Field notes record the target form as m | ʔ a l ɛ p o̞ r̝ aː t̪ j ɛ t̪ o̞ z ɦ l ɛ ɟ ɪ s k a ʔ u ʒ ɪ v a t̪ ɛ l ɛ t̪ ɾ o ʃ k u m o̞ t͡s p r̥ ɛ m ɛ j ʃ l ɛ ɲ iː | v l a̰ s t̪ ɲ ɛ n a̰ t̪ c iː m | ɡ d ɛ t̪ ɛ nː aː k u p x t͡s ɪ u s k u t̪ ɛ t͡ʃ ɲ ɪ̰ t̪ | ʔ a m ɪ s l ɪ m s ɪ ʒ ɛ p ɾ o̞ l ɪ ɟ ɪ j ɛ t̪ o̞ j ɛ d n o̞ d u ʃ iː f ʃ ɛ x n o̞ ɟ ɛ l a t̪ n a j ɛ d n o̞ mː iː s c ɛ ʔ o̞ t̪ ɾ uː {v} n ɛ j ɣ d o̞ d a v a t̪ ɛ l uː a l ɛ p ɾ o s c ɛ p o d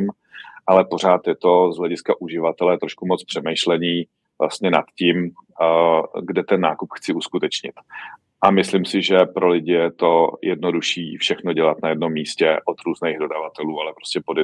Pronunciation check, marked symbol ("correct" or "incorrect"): incorrect